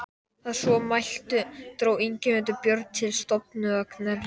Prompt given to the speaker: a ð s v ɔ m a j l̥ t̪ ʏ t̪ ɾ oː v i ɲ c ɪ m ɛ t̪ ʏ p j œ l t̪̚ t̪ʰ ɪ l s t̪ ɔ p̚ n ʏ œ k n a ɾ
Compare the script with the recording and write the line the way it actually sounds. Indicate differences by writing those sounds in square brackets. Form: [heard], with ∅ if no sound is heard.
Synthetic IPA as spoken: a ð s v ɔ m a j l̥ t̪ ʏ t̪ ɾ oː [w] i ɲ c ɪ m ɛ t̪ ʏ p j œ [ɾ] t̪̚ t̪ʰ ɪ l s t̪ ɔ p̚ n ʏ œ k n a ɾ